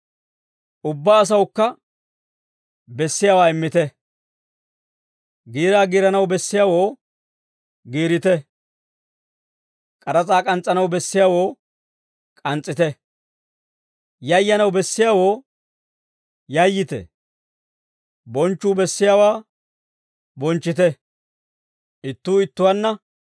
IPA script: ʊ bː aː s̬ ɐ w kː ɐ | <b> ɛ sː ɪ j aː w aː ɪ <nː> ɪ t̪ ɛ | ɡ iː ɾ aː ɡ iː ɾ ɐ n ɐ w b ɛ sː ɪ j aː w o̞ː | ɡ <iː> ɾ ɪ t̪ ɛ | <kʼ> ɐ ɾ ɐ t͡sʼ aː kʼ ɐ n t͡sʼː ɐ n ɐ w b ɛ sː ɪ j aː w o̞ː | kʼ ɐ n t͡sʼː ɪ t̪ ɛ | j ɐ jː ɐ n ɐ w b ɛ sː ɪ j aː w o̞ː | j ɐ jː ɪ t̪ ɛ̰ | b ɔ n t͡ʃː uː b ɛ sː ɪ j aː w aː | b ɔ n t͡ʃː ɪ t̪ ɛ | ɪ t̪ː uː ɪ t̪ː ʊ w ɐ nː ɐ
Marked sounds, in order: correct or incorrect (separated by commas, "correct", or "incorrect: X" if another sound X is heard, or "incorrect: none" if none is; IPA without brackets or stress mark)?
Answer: correct, incorrect: mː, correct, correct